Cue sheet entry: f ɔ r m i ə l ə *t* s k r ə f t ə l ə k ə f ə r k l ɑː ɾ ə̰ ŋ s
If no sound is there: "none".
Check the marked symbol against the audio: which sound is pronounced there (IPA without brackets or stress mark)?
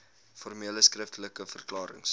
none